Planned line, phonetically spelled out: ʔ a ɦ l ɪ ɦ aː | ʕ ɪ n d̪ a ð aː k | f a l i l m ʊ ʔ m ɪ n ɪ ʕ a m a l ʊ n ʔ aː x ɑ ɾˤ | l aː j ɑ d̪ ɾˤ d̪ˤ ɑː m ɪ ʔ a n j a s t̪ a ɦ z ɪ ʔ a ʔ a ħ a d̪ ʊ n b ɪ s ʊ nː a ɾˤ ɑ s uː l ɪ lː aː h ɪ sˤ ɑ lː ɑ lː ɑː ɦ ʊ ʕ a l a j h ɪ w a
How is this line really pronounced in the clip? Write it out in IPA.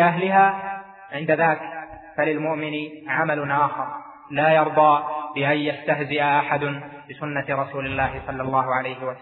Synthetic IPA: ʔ a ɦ l ɪ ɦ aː | ʕ ɪ n d̪ a ð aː k | f a l ɪ l m ʊ ʔ m ɪ n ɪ ʕ a m a l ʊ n ʔ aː x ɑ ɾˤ | l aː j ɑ ɾˤ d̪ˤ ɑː b ɪ ʔ a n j a s t̪ a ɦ z ɪ ʔ a ʔ a ħ a d̪ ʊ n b ɪ s ʊ nː a ɾˤ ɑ s uː l ɪ lː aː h ɪ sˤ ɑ lː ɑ lː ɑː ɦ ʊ ʕ a l a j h ɪ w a